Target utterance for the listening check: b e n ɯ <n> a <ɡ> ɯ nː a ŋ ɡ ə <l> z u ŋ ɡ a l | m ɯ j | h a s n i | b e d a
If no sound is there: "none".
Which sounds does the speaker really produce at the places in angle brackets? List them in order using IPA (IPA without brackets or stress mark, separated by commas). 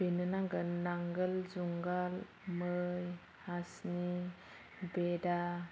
n, ɡ, l